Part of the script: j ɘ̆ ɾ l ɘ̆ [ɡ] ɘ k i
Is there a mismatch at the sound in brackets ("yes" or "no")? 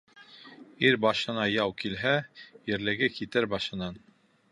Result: no